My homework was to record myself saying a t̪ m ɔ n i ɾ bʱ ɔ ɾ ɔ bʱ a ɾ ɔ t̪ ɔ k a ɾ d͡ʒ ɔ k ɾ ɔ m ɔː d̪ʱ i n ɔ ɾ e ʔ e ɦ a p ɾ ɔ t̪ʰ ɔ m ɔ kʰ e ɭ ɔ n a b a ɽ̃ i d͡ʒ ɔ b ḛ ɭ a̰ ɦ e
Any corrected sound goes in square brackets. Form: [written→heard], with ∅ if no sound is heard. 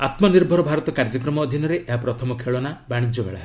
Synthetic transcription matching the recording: a t̪ m ɔ n i ɾ bʱ ɔ ɾ ɔ bʱ a ɾ ɔ t̪ ɔ k a ɾ d͡ʒ ɔ k ɾ ɔ m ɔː d̪ʱ i n ɔ ɾ e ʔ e ɦ a p ɾ ɔ t̪ʰ ɔ m ɔ kʰ e ɭ ɔ n a b a ɽ̃ i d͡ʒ ɔ b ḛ ɭ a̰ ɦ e